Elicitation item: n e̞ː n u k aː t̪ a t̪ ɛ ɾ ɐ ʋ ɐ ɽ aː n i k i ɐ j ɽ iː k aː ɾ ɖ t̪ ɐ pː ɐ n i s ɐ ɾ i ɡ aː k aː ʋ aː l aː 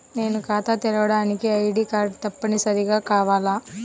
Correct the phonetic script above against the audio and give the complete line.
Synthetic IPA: n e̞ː n u k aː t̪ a t̪ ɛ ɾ ɐ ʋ ɐ ɽ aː n i k i ɐ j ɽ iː k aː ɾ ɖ t̪ ɐ pː ɐ n i s ɐ ɾ i ɡ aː k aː ʋ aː l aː